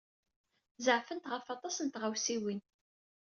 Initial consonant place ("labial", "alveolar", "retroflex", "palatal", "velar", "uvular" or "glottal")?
alveolar